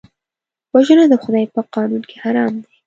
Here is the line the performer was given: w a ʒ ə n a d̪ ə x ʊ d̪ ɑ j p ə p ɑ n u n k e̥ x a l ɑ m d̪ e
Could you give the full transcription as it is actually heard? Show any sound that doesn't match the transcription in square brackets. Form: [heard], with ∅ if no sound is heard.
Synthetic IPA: w a ʒ ə n a d̪ ə x ʊ d̪ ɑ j p ə [q] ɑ n u n k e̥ [h] a [ɾ] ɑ m d̪ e